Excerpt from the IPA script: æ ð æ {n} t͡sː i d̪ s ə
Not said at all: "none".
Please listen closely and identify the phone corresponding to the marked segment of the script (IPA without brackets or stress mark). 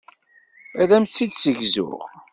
m